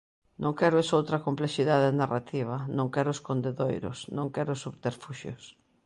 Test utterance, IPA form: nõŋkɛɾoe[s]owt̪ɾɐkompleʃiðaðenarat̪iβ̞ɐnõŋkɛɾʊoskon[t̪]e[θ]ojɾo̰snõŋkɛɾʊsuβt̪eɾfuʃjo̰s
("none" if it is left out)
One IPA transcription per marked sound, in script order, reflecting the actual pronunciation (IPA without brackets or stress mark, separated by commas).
s, d̪, ð